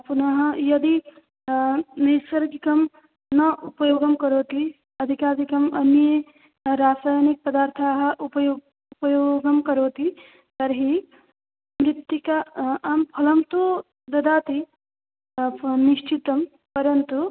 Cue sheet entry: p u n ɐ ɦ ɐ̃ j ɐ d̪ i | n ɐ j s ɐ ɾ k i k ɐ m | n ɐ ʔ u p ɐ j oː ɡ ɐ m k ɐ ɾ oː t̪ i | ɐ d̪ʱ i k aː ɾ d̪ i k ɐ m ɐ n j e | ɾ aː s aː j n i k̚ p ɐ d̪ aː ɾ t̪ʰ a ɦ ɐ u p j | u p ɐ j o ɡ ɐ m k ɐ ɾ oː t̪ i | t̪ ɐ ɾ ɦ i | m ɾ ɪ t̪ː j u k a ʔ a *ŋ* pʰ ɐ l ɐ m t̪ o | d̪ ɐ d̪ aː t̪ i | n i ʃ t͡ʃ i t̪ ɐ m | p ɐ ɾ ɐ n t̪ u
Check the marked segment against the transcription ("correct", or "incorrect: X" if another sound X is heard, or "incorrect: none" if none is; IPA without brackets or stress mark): incorrect: m